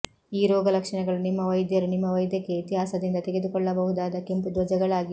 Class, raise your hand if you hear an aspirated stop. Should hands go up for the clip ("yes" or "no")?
no